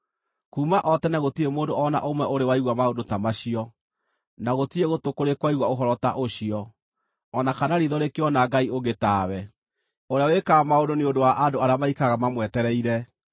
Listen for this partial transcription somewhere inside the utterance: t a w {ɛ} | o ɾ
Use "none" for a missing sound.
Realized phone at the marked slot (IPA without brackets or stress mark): ɛ